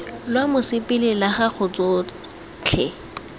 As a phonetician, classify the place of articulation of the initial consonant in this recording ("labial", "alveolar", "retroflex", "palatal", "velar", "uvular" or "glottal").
alveolar